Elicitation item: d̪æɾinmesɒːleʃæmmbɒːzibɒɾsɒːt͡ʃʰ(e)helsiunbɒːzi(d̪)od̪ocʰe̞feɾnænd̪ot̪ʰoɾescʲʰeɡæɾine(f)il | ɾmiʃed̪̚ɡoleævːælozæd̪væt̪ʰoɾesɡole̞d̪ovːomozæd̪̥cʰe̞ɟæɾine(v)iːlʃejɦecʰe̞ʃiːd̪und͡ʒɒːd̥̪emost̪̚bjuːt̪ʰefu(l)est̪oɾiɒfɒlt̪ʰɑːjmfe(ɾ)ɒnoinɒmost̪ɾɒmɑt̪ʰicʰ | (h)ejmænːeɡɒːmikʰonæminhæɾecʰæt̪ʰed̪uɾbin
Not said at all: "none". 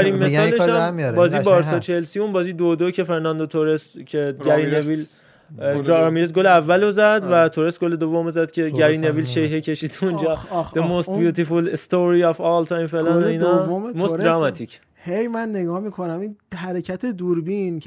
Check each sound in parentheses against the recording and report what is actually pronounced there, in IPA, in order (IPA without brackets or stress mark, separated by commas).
e, d̪, v, v, l, l, h